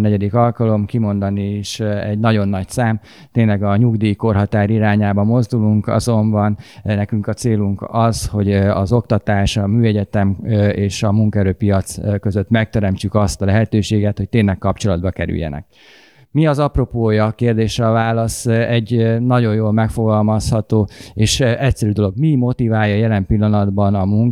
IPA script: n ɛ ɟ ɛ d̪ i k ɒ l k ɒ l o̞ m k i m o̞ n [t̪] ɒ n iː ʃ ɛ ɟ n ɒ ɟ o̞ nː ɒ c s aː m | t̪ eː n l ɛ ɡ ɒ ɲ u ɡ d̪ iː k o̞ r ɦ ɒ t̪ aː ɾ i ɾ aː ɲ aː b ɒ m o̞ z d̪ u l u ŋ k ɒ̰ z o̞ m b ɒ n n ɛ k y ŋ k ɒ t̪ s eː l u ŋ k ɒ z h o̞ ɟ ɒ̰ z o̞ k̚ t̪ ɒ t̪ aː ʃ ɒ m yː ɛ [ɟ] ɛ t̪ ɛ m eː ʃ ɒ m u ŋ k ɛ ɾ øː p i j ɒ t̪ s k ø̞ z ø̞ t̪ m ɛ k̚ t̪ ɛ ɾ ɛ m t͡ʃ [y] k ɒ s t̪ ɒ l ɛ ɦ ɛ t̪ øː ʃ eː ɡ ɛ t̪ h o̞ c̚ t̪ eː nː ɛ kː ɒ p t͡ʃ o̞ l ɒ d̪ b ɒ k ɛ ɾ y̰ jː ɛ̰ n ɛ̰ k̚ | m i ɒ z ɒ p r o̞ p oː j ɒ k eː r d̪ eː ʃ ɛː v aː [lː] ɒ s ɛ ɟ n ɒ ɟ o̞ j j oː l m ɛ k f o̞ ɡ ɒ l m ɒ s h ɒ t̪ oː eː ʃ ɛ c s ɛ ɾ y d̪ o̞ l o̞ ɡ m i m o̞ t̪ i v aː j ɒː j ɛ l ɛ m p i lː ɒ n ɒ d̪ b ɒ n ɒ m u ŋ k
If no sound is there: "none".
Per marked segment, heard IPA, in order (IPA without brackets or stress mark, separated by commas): d̪, ɟ, y, l